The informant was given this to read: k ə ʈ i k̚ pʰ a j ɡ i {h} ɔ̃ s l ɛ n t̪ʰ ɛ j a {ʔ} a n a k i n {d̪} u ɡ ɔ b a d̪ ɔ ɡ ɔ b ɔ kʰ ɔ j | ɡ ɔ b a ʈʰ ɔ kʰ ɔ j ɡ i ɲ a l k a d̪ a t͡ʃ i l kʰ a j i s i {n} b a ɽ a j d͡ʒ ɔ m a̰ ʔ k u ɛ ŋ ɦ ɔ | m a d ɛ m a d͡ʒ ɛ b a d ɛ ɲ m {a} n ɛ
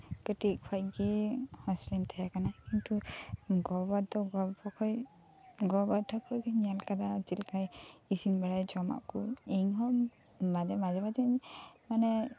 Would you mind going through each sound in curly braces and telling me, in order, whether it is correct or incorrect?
correct, incorrect: k, incorrect: t̪, correct, correct

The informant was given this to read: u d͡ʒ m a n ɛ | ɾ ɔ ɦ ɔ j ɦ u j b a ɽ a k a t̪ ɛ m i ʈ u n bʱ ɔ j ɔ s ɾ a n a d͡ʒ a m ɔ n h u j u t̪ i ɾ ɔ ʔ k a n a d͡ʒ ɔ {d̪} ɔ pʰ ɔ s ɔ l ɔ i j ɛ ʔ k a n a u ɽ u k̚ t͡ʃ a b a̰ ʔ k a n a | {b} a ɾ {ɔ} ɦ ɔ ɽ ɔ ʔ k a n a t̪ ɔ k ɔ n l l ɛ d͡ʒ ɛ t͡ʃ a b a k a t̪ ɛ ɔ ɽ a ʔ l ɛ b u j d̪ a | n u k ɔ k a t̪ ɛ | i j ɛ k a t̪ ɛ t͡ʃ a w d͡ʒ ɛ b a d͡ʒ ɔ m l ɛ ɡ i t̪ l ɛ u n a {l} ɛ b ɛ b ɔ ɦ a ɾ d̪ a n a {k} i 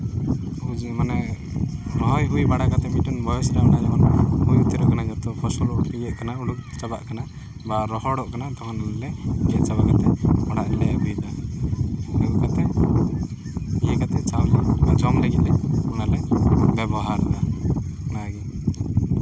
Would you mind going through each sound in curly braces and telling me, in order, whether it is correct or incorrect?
incorrect: t̪, correct, correct, correct, incorrect: ɡ

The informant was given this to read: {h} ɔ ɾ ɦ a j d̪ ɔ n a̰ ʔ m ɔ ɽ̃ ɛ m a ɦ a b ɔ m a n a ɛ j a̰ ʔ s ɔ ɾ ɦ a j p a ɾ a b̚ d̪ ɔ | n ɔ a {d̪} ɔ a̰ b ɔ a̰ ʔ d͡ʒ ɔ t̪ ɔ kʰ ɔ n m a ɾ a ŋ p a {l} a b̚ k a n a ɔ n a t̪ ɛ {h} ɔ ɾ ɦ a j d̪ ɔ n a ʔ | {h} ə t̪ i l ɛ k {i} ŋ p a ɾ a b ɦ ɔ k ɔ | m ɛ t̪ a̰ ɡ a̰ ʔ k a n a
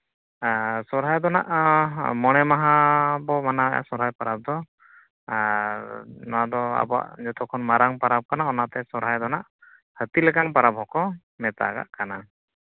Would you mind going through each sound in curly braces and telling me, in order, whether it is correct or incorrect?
incorrect: s, correct, incorrect: ɾ, incorrect: s, correct, incorrect: a

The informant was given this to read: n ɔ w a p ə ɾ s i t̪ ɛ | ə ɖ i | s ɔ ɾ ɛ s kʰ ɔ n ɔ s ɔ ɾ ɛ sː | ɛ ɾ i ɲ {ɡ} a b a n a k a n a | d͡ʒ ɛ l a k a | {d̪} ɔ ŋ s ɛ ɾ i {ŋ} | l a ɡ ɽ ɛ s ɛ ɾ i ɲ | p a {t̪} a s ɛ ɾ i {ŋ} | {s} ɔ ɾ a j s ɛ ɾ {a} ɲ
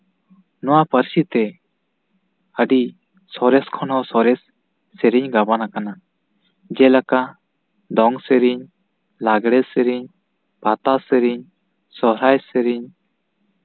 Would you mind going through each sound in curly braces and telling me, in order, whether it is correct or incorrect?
correct, correct, incorrect: ɲ, correct, incorrect: ɲ, correct, incorrect: i

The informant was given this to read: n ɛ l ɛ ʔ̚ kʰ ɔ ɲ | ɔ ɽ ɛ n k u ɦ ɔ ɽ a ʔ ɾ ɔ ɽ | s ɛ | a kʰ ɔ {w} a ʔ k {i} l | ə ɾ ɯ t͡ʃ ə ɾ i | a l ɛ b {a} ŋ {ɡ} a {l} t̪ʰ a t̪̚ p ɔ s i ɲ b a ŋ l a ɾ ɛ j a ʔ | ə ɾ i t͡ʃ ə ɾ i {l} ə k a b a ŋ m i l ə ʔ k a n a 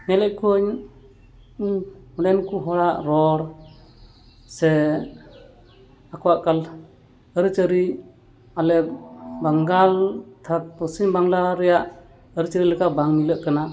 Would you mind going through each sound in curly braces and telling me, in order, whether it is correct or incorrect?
correct, incorrect: a, correct, correct, correct, correct

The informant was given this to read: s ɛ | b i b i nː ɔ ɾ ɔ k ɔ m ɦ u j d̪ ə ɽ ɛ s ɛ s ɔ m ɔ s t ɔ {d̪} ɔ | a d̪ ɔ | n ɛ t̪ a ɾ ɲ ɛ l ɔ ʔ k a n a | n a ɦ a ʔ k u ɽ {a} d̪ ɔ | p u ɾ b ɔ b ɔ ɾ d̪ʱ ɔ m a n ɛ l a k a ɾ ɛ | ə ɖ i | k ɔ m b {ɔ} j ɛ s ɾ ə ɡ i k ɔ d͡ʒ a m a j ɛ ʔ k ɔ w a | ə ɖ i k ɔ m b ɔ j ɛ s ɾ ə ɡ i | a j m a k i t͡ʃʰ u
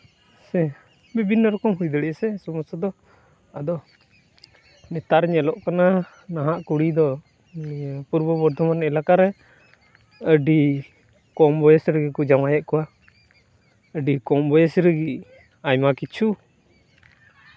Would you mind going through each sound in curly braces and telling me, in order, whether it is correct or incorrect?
correct, incorrect: i, correct

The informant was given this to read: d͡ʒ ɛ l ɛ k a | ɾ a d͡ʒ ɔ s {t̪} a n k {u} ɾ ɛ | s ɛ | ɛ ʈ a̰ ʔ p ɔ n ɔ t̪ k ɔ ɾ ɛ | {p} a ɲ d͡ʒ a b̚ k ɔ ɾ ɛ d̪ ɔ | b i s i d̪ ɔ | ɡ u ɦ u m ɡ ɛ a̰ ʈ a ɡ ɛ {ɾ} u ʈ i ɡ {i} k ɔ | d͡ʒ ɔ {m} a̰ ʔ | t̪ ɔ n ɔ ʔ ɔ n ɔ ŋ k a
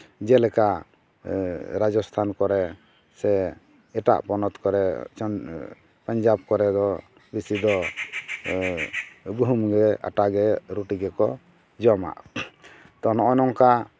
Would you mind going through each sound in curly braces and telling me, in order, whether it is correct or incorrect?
incorrect: t̪ʰ, incorrect: ɔ, correct, correct, incorrect: ɛ, correct

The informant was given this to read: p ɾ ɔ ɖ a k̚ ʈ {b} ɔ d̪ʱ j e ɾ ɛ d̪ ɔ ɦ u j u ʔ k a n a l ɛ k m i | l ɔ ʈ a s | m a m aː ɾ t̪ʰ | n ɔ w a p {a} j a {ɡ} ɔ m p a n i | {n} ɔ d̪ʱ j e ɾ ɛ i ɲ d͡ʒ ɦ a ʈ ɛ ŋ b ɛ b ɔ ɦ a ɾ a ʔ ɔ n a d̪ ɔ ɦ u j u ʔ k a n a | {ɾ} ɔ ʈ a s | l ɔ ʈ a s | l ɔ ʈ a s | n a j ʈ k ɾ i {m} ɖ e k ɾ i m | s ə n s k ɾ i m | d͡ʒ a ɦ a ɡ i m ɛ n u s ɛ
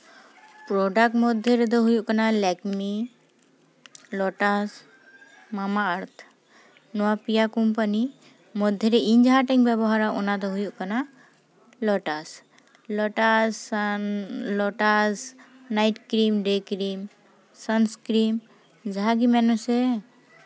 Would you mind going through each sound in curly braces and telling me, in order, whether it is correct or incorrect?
incorrect: m, incorrect: i, incorrect: k, incorrect: m, incorrect: l, correct

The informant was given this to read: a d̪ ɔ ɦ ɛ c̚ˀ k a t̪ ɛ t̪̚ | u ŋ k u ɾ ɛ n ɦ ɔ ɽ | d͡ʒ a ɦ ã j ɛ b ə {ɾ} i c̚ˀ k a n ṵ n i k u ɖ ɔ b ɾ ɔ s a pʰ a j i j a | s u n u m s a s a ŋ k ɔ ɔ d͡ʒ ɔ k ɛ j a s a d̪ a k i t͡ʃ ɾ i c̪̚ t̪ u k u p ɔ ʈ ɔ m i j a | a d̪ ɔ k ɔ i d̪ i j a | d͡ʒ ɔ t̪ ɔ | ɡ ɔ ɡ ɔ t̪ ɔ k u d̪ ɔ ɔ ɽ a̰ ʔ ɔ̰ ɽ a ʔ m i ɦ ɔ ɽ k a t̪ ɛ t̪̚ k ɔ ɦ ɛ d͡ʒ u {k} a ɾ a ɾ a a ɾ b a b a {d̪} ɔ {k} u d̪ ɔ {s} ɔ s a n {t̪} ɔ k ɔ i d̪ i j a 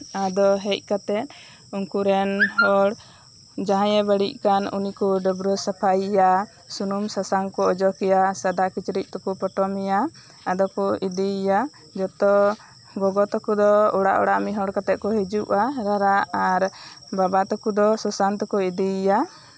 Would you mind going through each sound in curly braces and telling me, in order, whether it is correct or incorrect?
incorrect: ɽ, incorrect: ʔ, incorrect: t̪, correct, correct, correct

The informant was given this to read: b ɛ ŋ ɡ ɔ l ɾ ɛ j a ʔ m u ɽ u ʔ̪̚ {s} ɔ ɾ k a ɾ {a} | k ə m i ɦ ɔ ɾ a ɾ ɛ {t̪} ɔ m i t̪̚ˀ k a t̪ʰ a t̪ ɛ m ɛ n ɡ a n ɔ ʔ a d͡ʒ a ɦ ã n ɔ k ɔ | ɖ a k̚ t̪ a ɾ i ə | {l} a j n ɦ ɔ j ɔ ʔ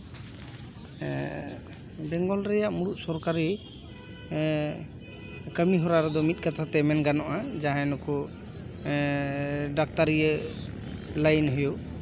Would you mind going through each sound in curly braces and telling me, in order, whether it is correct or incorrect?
correct, incorrect: i, incorrect: d̪, correct

